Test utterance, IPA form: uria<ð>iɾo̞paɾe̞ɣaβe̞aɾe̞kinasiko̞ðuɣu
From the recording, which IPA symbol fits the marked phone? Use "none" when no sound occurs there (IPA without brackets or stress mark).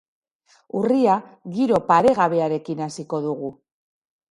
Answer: ɣ